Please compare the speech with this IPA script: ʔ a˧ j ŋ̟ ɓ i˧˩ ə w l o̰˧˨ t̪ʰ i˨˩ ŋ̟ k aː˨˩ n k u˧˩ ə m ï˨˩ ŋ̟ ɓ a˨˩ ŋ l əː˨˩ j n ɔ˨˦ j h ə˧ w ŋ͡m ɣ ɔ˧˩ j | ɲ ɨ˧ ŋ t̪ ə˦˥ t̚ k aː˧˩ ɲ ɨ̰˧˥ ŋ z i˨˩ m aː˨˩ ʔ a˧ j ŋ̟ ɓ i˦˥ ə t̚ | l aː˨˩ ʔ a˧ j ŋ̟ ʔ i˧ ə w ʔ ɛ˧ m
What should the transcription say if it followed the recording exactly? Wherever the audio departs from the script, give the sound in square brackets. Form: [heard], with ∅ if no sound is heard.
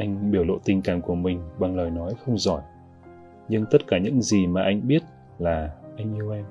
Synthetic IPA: ʔ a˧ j ŋ̟ ɓ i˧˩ ə w l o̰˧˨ [t̪] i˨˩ ŋ̟ k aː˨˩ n k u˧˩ ə m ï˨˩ ŋ̟ ɓ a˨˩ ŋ l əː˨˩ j n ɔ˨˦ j [x] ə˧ w ŋ͡m [z] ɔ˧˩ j | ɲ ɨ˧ ŋ t̪ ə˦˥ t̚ k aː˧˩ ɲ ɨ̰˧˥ ŋ z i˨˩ m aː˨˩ ʔ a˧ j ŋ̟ ɓ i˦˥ ə t̚ | l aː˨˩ ʔ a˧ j ŋ̟ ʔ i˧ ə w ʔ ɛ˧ m